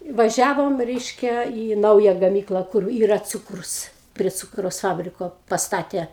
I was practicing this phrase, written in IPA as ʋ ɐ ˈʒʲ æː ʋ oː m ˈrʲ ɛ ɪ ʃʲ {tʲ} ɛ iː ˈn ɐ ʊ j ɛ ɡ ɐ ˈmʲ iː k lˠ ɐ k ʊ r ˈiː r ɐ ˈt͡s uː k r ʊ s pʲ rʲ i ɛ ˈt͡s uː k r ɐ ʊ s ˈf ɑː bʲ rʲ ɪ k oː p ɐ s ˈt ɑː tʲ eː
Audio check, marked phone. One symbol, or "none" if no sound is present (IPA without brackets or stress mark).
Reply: kʲ